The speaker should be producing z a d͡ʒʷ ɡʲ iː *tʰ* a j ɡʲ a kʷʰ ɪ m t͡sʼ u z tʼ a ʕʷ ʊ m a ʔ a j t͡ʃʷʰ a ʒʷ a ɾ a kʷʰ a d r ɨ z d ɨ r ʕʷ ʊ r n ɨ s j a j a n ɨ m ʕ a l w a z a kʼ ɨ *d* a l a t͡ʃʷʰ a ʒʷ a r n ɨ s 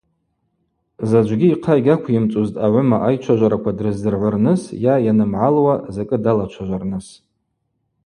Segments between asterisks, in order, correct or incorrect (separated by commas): incorrect, correct